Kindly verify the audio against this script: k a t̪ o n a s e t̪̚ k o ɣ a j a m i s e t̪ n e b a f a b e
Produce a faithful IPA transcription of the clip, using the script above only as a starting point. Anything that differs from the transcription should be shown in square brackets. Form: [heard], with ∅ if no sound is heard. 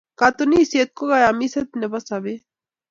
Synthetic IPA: k a t̪ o n [i] s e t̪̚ k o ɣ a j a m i s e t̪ n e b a [s] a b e